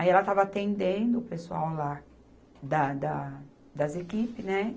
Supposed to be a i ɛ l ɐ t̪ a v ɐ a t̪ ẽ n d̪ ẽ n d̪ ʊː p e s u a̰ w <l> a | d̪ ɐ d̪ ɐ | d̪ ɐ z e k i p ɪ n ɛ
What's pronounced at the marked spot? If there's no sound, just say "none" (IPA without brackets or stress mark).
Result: l